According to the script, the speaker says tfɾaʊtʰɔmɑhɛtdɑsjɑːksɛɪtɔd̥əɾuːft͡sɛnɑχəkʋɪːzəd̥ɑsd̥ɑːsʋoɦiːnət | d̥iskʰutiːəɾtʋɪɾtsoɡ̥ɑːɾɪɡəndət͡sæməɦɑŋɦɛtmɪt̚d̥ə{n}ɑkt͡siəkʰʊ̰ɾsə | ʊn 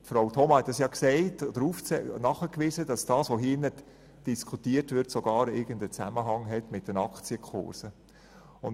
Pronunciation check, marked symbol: correct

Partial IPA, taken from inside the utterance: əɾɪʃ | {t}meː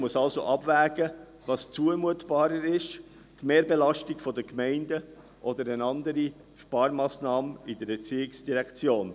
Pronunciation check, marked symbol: correct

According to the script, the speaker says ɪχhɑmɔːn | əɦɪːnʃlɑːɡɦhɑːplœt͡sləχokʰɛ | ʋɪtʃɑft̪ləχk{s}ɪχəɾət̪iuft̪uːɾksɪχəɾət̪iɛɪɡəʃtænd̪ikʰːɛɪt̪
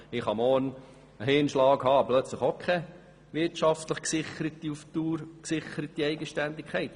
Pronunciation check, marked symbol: correct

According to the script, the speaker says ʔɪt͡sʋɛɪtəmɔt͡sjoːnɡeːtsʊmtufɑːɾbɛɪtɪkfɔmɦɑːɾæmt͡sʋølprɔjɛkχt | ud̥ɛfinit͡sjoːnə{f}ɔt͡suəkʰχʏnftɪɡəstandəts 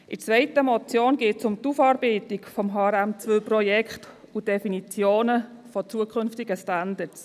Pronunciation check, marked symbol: correct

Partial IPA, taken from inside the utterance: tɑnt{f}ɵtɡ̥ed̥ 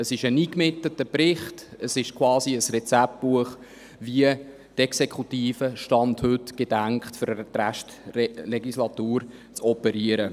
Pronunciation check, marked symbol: incorrect: h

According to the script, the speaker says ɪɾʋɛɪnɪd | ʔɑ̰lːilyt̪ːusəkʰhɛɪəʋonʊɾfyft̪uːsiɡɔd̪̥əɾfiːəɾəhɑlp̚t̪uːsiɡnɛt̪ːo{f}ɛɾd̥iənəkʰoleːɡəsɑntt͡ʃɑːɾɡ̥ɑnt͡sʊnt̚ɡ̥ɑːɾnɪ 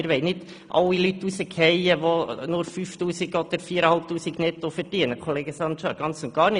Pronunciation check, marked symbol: correct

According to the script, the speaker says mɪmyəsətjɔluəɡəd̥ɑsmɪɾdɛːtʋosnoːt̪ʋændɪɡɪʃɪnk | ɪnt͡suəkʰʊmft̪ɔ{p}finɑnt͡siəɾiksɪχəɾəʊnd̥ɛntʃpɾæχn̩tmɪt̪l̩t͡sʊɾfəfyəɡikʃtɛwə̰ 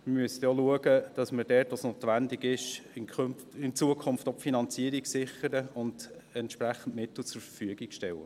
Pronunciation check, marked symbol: correct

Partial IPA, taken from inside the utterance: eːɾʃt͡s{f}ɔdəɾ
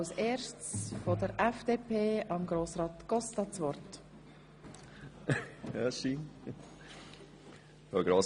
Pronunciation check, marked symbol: correct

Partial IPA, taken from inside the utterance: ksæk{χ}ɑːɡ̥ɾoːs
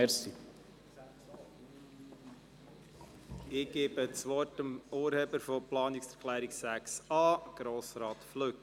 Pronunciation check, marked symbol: incorrect: s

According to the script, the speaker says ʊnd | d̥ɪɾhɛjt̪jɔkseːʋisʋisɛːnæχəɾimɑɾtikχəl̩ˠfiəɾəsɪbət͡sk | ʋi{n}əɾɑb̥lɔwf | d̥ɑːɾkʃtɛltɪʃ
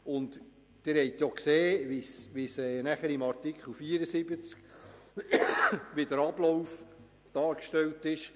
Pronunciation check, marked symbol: incorrect: d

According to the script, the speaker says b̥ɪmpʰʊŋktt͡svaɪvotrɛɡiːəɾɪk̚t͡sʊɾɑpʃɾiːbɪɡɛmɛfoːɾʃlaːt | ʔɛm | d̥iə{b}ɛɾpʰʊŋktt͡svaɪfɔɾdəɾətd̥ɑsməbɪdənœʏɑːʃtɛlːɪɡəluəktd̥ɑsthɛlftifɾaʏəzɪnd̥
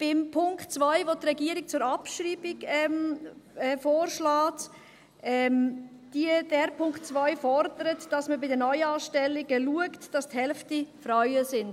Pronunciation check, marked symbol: incorrect: d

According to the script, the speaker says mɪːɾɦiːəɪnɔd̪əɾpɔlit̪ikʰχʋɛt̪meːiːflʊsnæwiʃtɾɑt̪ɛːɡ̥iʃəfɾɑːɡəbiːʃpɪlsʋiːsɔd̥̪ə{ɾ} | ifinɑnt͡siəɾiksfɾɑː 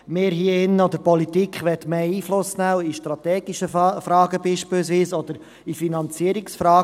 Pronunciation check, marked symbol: correct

